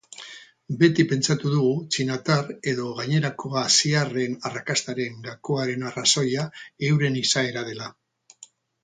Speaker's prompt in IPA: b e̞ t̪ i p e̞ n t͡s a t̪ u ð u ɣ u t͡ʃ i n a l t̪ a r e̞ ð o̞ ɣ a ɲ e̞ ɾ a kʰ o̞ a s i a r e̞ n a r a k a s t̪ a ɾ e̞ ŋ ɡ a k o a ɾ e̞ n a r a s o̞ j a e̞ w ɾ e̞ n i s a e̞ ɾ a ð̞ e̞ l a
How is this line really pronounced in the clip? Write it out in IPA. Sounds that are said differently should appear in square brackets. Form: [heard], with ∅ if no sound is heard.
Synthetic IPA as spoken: b e̞ t̪ i p e̞ n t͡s a t̪ u ð u ɣ u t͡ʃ i n a [∅] t̪ a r e̞ ð o̞ ɣ a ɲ e̞ ɾ a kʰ o̞ a s i a r e̞ n a r a k a s t̪ a ɾ e̞ ŋ ɡ a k o a ɾ e̞ n a r a s o̞ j a e̞ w ɾ e̞ n i s a e̞ ɾ a ð̞ e̞ l a